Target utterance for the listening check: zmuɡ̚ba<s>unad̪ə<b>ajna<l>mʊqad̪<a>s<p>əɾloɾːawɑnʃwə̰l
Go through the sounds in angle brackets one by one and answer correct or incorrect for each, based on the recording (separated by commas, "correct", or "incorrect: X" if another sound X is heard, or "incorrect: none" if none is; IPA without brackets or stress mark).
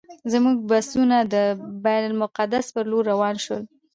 correct, correct, correct, correct, correct